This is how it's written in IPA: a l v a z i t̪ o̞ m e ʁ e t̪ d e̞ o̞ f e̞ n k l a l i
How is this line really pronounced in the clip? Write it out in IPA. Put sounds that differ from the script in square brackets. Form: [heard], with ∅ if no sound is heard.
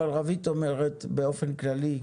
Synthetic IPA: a l [ʁ] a [v] i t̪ o̞ m e ʁ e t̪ [b] e̞ o̞ f e̞ n k l a l i